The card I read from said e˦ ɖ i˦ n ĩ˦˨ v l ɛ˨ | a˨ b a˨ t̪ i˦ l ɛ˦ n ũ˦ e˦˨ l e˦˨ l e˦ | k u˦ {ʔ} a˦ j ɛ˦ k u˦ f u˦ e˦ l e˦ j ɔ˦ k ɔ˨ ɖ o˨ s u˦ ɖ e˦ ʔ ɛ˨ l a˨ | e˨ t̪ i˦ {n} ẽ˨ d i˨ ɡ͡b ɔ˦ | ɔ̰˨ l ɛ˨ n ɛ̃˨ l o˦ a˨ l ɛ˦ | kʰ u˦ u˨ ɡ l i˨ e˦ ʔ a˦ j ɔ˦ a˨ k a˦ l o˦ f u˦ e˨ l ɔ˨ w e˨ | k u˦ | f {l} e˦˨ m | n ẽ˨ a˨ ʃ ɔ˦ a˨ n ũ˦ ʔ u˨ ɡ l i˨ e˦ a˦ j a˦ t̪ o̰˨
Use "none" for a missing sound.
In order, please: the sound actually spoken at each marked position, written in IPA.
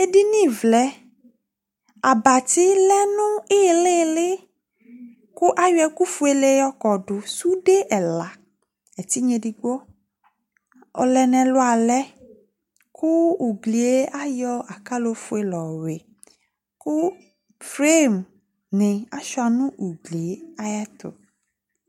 ʔ, ɲ, ɾ

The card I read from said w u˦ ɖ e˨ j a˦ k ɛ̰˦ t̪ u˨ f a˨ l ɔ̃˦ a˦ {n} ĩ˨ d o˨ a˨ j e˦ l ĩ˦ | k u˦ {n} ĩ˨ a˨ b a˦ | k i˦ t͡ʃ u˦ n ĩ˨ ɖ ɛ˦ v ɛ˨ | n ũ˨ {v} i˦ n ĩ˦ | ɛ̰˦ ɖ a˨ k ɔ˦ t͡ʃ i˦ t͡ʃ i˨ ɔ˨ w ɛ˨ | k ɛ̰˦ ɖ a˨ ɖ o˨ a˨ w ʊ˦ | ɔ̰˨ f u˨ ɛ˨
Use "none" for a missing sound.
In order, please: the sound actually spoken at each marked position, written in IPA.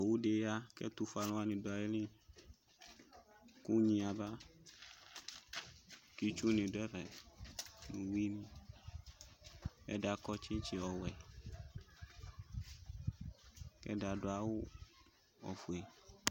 n, ɲ, w

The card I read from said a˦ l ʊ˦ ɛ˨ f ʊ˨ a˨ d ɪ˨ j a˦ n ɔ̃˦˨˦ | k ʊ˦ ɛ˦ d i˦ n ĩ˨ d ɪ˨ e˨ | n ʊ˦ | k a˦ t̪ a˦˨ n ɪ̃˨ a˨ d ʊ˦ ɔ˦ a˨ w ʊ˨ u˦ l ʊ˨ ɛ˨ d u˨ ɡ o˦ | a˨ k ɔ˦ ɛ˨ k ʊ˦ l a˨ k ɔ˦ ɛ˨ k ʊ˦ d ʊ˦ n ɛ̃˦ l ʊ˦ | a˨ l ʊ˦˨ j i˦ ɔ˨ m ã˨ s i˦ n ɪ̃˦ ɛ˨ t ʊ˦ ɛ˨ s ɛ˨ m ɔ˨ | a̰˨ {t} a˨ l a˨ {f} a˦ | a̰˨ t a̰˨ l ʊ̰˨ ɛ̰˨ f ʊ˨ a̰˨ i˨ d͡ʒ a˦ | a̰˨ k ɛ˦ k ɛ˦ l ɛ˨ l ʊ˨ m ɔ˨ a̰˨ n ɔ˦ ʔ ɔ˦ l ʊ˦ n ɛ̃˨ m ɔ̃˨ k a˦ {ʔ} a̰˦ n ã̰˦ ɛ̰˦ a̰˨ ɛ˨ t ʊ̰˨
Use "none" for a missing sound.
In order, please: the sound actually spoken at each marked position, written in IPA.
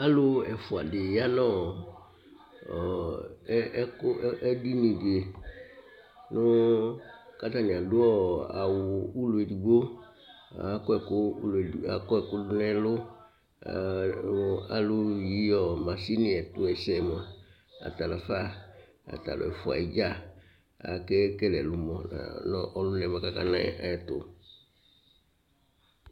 t, f, k

